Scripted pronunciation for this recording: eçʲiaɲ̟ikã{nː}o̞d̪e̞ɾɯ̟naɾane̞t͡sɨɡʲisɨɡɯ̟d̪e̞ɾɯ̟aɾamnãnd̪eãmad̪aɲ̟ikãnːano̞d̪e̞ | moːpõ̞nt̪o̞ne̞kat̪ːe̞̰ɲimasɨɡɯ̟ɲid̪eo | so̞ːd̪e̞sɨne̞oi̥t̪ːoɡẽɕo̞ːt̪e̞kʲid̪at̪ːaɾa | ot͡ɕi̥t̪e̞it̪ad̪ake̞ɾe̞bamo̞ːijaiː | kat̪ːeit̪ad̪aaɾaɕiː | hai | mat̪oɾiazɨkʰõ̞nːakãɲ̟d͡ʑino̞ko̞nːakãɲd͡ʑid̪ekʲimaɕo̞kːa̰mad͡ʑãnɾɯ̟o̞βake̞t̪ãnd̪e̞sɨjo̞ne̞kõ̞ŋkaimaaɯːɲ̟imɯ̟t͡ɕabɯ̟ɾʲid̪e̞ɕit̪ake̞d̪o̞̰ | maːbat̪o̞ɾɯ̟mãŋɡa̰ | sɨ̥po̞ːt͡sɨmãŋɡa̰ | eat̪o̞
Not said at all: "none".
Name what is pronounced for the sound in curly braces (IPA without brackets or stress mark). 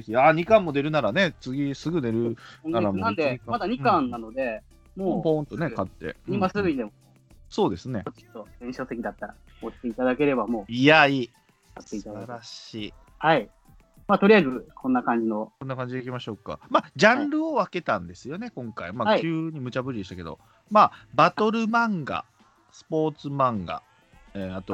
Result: mː